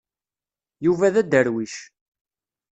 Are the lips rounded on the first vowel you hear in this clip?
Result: yes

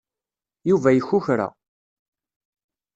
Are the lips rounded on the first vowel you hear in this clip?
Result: yes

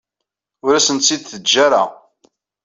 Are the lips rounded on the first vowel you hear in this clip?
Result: yes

